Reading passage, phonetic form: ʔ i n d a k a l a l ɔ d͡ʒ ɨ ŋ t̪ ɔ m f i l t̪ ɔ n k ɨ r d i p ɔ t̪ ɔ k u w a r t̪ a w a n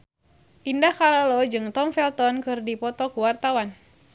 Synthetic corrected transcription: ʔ i n d a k a l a l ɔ d͡ʒ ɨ ŋ t̪ ɔ m f ɛ l t̪ ɔ n k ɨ r d i p ɔ t̪ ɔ k u w a r t̪ a w a n